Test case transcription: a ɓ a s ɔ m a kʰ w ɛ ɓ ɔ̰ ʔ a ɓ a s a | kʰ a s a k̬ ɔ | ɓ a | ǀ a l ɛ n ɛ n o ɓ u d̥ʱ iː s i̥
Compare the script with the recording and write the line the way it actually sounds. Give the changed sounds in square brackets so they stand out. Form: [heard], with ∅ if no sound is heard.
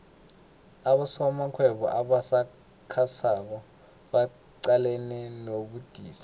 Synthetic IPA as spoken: a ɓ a s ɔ m a kʰ w ɛ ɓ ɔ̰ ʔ a ɓ a s a | kʰ a s a k̬ ɔ | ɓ a | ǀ a l ɛ n ɛ n o ɓ u d̥ʱ iː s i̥